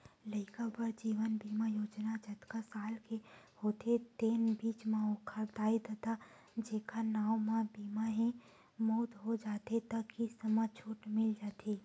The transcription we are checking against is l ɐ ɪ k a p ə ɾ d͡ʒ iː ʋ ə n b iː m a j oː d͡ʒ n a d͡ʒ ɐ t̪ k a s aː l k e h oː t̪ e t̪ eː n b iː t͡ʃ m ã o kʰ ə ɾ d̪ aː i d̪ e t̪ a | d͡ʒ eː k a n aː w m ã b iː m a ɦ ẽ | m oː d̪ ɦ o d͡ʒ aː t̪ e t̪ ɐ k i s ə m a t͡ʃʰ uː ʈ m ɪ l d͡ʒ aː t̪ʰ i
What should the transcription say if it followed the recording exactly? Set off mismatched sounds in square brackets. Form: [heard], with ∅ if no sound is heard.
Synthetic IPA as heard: l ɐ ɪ k a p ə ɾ d͡ʒ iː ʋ ə n b iː m a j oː d͡ʒ n a d͡ʒ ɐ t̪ k a s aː l k e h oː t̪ e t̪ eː n b iː t͡ʃ m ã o kʰ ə ɾ d̪ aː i d̪ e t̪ a | d͡ʒ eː k a n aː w m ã b iː m a ɦ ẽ | m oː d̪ ɦ o d͡ʒ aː t̪ e t̪ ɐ k i s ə m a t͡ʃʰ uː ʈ m ɪ l d͡ʒ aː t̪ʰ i